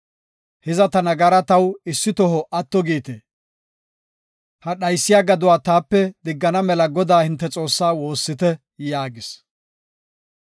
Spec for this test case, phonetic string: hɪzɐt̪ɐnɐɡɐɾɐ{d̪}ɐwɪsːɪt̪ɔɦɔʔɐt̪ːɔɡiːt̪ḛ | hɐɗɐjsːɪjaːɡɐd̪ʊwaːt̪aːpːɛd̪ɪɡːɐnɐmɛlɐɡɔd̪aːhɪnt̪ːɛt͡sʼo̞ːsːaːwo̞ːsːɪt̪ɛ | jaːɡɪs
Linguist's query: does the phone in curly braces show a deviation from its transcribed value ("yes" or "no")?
yes